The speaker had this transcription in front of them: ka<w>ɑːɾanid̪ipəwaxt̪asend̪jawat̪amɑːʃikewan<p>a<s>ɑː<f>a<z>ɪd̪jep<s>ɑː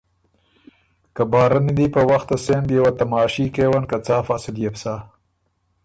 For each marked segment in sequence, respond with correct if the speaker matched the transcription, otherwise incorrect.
incorrect, incorrect, incorrect, correct, incorrect, correct

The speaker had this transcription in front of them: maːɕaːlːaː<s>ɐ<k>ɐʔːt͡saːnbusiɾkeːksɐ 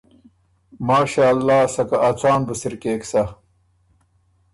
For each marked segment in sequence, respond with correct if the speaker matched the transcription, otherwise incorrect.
correct, correct

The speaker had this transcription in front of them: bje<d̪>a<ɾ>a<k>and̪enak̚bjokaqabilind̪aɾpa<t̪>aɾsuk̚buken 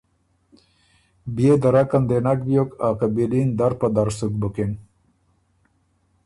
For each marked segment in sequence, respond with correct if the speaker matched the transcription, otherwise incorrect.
correct, correct, correct, incorrect

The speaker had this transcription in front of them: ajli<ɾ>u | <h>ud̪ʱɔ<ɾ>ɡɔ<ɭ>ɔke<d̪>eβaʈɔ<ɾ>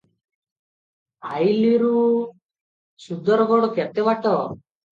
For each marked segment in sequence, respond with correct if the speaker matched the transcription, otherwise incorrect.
correct, incorrect, correct, incorrect, incorrect, incorrect

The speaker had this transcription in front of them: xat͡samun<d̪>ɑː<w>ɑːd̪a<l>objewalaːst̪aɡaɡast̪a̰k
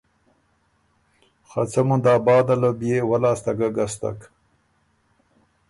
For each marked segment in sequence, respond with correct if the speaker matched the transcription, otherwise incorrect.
correct, incorrect, correct

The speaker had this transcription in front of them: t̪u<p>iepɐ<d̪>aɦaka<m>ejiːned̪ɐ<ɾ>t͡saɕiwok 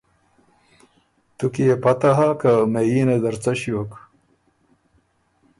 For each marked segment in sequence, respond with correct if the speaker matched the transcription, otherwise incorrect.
incorrect, incorrect, correct, correct

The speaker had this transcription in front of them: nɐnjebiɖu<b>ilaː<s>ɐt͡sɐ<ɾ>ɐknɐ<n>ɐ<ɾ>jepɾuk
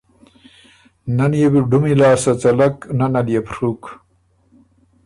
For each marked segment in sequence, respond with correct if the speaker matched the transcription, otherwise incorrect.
incorrect, correct, incorrect, correct, incorrect

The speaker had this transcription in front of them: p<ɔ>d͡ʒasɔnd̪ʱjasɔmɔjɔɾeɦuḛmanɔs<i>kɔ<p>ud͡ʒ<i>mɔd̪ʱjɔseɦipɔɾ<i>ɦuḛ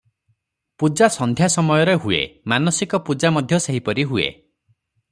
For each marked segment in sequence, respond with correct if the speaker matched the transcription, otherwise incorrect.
incorrect, correct, correct, incorrect, correct

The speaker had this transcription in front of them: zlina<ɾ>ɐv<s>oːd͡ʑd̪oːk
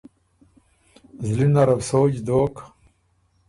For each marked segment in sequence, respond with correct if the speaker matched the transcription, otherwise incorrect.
correct, correct

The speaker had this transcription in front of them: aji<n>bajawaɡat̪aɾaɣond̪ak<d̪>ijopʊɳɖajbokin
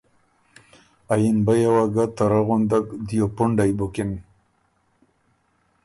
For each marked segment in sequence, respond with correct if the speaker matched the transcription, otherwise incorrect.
correct, correct

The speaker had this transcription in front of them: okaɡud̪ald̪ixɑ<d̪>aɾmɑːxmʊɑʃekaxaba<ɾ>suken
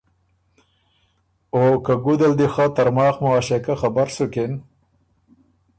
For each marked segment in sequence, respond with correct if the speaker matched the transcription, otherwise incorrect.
incorrect, correct

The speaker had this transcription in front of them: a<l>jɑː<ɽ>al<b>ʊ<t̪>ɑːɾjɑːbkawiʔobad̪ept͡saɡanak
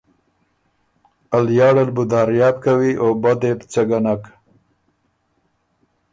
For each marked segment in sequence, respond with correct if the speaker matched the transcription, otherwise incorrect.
correct, correct, correct, incorrect

